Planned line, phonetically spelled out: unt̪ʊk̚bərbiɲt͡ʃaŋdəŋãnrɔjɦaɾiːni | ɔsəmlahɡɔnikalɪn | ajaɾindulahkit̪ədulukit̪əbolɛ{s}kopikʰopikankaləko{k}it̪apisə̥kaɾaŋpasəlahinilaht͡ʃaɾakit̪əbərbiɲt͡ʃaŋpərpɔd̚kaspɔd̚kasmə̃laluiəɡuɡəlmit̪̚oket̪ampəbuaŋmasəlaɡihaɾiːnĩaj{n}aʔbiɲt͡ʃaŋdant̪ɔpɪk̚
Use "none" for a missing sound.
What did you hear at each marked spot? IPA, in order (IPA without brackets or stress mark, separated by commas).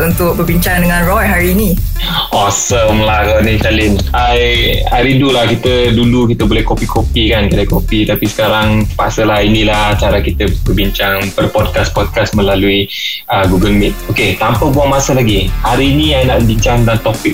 h, p, n